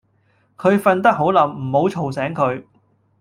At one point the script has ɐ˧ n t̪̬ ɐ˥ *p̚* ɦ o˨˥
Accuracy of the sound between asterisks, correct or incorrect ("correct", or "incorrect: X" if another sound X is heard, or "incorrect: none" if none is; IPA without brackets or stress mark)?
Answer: incorrect: k̚